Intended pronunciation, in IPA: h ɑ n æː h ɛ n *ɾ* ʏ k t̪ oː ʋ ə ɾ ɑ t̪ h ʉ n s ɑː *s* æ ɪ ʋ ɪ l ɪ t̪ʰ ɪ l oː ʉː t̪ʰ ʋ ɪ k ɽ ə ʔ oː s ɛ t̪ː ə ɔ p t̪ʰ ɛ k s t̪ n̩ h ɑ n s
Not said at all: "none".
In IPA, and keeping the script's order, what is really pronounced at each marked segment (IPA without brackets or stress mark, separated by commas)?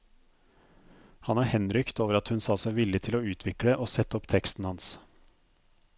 ɾ, s